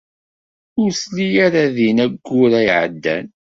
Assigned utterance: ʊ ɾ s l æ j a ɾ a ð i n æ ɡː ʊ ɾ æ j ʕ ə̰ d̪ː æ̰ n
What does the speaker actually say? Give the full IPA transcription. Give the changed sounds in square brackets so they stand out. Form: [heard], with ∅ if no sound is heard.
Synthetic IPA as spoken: ʊ ɾ s l [i] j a ɾ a ð i n æ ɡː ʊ ɾ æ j ʕ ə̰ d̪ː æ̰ n